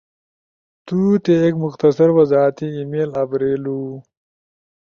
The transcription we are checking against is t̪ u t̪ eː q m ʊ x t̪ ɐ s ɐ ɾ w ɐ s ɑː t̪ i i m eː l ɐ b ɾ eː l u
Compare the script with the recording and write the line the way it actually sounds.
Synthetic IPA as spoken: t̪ u t̪ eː k m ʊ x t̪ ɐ s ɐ ɾ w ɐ z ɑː t̪ i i m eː l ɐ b ɾ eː l u